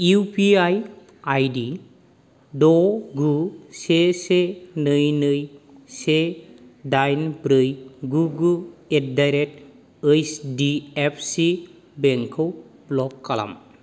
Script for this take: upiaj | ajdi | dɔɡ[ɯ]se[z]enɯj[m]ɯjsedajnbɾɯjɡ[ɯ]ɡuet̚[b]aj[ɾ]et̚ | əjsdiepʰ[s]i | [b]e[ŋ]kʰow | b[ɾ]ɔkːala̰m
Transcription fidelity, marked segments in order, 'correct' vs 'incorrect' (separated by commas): incorrect, incorrect, incorrect, incorrect, incorrect, correct, correct, correct, correct, incorrect